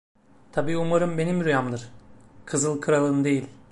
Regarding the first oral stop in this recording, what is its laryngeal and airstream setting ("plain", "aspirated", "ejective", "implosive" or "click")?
aspirated